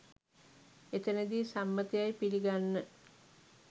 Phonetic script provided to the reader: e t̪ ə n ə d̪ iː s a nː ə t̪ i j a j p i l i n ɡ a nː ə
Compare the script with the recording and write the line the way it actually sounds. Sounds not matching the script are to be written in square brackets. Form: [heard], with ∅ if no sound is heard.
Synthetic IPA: e t̪ ə n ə d̪ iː s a [mː] ə t̪ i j a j p i l i [∅] ɡ a nː ə